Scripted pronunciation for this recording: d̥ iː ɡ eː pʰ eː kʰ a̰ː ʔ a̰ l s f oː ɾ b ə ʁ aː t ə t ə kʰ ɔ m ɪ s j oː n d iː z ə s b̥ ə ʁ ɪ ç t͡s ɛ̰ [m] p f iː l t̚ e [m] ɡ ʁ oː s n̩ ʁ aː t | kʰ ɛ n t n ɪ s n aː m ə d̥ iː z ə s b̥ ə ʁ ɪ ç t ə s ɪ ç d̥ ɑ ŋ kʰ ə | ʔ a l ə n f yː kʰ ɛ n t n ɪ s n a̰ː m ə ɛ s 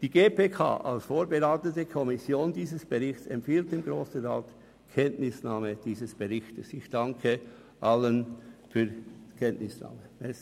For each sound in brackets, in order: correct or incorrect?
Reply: correct, correct

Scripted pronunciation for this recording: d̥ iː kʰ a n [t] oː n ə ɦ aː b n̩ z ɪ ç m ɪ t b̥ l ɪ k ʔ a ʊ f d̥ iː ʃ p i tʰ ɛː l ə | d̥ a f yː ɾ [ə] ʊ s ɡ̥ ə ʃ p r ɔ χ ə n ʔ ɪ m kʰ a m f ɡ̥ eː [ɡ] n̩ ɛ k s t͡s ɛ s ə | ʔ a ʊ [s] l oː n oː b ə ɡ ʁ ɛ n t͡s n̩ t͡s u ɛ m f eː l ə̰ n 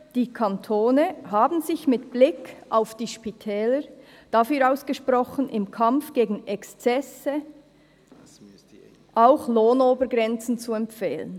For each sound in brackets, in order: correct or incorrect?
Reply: incorrect: tʰ, incorrect: a, correct, incorrect: x

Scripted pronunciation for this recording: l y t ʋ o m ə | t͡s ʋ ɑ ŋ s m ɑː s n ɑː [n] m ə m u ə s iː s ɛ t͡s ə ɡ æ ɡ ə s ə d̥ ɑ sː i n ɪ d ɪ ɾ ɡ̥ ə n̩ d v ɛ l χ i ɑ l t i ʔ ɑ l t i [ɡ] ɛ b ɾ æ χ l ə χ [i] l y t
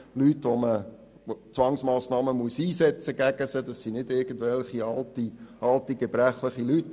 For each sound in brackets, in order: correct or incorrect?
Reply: incorrect: none, correct, correct

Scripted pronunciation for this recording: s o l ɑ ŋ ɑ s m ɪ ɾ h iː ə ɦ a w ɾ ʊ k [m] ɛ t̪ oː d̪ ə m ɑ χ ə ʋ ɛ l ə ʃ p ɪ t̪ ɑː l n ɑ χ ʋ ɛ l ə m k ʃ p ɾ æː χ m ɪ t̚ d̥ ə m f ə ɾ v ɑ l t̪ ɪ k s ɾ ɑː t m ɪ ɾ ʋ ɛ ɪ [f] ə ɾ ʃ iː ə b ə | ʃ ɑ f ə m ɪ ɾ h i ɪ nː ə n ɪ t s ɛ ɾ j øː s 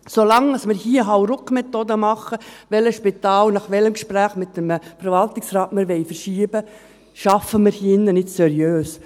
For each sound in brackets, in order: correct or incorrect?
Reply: correct, correct

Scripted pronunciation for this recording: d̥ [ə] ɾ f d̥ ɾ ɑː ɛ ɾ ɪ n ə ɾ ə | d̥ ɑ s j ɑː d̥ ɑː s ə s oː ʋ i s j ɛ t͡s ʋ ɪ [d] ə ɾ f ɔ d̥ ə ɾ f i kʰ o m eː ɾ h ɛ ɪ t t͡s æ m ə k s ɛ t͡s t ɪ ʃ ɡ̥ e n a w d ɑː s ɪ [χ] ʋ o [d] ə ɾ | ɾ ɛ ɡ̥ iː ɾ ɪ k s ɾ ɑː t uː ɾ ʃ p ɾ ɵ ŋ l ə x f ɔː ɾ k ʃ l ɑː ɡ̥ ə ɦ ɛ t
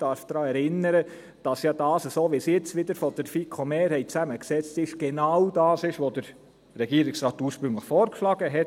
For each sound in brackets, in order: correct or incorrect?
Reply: incorrect: ɑ, correct, incorrect: ʃ, correct

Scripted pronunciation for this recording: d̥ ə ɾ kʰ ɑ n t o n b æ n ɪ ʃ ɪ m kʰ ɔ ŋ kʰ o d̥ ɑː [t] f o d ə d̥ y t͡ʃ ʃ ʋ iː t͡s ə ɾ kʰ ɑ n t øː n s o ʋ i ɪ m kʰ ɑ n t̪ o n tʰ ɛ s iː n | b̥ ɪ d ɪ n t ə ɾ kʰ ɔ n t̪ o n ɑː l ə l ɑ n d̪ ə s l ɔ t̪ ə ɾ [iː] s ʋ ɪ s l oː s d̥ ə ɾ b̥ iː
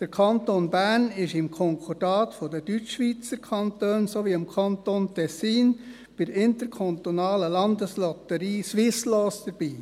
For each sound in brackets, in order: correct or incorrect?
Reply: correct, correct

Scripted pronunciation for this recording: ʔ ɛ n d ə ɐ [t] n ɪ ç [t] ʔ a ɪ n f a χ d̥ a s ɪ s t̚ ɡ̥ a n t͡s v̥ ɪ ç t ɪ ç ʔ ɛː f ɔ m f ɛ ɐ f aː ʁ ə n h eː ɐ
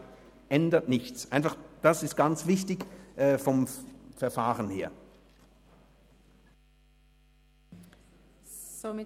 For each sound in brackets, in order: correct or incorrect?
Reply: correct, incorrect: t͡s

